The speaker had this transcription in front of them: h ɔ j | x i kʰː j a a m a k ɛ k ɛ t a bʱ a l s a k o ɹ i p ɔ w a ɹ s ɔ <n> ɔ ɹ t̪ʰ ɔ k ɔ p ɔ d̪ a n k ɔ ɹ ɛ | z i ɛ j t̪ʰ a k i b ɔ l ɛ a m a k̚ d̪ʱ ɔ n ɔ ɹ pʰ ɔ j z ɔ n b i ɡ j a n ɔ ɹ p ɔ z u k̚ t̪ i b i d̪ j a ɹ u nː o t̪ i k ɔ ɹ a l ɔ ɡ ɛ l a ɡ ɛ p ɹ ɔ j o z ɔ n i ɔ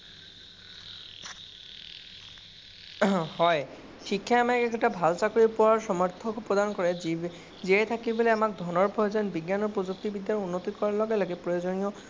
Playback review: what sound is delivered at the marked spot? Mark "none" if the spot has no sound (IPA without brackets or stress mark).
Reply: m